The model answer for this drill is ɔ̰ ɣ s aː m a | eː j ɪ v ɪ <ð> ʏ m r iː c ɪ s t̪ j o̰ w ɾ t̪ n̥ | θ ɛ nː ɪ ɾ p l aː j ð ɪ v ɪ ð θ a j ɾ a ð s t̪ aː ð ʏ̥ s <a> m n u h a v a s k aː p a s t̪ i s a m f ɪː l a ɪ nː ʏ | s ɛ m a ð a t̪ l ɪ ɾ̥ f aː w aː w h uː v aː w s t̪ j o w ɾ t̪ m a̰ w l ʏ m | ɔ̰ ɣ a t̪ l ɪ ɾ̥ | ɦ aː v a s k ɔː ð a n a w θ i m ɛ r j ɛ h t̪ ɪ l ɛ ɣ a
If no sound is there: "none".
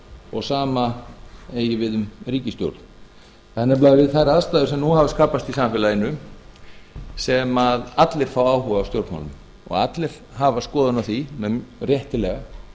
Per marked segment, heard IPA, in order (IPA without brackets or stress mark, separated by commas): ð, ɛ